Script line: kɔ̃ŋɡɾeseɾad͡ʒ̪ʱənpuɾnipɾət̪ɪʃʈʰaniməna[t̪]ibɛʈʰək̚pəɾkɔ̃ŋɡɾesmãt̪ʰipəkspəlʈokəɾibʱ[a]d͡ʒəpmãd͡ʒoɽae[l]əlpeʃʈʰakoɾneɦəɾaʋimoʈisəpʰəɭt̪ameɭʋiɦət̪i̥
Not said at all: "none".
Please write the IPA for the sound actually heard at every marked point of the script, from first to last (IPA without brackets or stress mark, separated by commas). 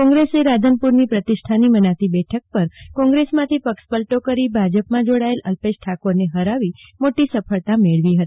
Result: t̪, a, l